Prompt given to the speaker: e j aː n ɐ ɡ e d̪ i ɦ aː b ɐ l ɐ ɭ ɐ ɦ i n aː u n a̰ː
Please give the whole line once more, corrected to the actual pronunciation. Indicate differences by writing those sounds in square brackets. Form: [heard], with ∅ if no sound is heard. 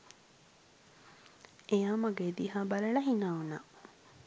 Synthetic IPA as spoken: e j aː [m] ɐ ɡ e d̪ i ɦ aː b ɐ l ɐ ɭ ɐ ɦ i n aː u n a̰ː